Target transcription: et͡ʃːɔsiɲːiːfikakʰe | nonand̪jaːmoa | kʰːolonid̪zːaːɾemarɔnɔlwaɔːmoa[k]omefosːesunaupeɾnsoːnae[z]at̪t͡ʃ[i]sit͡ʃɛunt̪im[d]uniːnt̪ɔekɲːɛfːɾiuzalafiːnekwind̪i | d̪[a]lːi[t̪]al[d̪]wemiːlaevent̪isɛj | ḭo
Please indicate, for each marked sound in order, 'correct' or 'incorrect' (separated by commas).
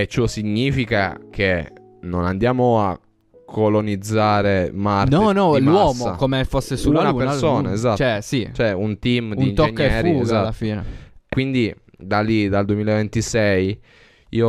correct, correct, incorrect, correct, correct, incorrect, correct